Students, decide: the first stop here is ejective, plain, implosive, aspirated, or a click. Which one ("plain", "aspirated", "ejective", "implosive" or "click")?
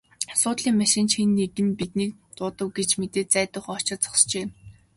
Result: plain